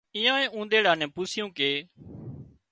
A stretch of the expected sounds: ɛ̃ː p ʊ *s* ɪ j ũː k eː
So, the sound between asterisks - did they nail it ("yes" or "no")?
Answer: yes